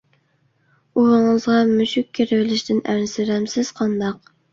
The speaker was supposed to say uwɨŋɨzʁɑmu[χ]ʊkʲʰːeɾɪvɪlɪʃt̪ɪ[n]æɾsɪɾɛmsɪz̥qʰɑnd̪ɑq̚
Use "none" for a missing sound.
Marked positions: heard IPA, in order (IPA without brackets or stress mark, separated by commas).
ʃ, n